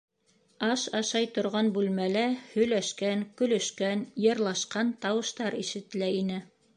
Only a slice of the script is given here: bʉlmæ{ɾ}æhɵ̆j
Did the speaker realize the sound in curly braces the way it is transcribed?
no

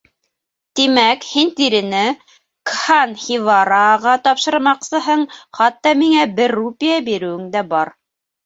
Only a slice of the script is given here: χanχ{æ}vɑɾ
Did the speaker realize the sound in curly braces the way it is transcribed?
no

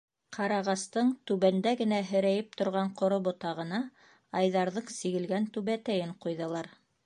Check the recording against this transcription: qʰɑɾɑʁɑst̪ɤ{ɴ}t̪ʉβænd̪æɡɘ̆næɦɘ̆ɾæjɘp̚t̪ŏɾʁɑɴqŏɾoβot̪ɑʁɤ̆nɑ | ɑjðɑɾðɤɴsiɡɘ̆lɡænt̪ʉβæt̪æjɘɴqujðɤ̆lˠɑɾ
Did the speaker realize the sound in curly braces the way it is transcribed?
yes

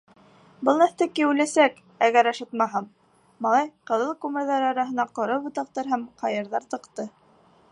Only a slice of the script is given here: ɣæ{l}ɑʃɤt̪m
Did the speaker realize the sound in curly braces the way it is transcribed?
no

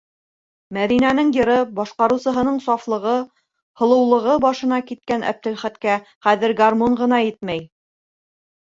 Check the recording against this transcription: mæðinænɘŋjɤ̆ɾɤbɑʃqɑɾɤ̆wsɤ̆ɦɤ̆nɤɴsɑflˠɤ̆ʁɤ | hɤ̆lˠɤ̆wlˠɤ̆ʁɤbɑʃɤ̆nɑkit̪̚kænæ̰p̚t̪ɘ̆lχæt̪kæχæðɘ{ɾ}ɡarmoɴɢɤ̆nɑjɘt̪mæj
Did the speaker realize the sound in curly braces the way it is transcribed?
yes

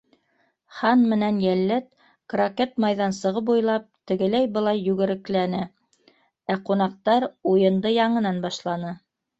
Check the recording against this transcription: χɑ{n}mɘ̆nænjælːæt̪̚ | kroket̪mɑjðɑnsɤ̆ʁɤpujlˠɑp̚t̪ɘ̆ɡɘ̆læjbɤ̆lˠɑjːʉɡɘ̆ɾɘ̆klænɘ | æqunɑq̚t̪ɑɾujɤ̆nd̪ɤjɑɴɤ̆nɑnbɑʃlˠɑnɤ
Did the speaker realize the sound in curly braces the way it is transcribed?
yes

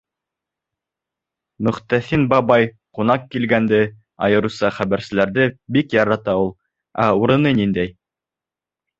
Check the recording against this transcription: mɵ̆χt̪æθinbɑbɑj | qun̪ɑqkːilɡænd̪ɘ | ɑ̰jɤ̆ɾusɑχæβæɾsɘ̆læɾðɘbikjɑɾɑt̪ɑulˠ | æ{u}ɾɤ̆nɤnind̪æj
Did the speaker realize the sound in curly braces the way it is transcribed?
yes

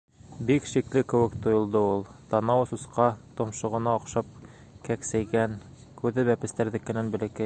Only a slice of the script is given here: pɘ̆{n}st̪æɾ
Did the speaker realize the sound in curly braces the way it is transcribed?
no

